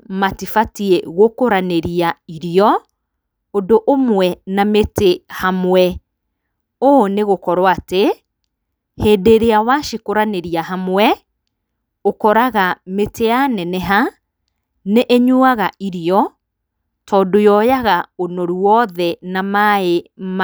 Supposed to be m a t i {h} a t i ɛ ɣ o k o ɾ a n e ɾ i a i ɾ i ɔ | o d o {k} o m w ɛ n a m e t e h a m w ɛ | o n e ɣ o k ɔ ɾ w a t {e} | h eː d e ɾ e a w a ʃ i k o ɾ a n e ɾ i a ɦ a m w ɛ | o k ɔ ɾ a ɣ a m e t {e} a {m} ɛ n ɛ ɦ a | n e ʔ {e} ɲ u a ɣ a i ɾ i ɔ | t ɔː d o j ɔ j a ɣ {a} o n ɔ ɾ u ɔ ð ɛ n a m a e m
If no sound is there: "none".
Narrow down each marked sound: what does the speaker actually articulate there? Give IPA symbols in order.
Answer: f, ʔ, e, e, n, e, a

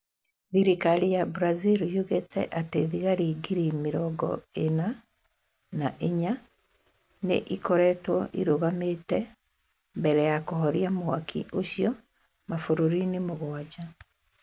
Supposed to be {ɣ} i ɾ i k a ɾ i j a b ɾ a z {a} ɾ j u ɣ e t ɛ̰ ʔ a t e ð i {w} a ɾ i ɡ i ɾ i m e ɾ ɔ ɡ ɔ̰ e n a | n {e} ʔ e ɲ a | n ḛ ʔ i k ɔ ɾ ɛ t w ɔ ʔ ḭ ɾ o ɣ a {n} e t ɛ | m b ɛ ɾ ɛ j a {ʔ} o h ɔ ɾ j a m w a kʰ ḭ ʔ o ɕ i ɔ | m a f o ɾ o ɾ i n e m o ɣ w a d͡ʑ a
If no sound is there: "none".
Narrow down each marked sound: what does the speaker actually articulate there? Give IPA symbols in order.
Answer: ð, i, ɣ, a, m, k

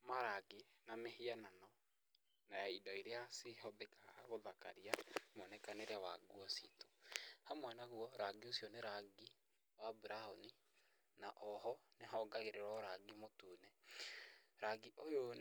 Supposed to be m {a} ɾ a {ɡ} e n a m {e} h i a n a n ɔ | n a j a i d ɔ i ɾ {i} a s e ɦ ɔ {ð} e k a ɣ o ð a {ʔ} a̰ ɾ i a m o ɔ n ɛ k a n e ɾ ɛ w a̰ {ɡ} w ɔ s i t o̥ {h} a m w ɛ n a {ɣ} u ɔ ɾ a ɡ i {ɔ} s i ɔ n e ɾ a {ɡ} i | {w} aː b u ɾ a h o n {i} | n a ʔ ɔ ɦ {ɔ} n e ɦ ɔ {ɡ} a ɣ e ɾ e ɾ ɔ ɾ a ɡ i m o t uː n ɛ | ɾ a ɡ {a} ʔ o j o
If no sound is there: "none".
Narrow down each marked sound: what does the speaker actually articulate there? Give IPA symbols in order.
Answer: a, ɡ, e, e, ð, k, ɡ, h, ɣ, o, ɡ, w, i, ɔ, ɡ, i

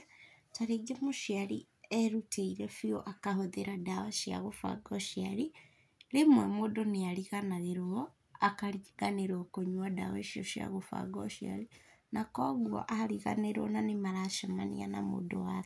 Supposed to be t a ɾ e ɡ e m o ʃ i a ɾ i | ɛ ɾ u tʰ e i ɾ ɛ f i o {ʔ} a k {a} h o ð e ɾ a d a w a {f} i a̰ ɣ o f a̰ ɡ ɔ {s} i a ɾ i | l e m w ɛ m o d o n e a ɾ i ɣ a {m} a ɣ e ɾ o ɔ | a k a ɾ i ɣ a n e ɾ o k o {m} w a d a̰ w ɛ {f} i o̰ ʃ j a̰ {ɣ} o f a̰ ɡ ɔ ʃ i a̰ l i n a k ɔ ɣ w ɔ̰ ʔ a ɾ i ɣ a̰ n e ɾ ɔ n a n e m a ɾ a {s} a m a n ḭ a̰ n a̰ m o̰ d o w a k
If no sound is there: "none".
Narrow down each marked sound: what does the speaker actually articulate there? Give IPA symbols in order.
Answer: ʔ, a, ʃ, ʃ, n, ɲ, ʃ, ɣ, ʃ

